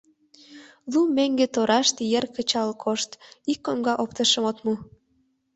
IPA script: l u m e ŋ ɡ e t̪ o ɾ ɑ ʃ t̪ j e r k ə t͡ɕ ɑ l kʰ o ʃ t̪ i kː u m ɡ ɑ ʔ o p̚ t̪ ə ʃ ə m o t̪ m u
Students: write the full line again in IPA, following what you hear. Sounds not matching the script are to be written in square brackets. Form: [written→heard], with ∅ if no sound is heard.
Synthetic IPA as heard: l u m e ŋ ɡ e t̪ o ɾ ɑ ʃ t̪ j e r k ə t͡ɕ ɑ l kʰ o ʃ t̪ i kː [u→o] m ɡ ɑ ʔ o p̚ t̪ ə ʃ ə m o t̪ m u